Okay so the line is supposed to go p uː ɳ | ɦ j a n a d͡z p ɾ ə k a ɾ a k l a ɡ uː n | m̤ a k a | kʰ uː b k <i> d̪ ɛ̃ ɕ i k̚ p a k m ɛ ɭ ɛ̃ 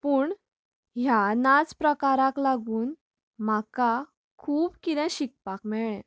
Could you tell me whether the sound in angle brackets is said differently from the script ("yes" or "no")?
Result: no